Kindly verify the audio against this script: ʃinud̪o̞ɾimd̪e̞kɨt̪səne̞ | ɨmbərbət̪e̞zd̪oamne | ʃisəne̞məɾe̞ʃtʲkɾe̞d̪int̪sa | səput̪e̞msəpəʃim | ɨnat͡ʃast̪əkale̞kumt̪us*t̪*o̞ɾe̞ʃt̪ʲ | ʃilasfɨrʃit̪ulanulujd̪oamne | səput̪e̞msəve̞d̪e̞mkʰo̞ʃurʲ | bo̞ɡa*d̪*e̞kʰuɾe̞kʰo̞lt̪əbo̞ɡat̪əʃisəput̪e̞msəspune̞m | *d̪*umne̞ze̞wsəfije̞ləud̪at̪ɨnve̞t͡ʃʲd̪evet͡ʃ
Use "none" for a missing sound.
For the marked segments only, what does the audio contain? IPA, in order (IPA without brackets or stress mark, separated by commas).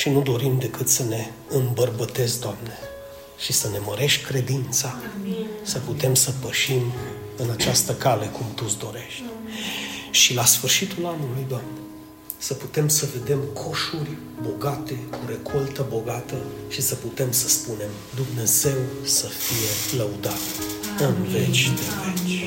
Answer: d̪, t̪, d̪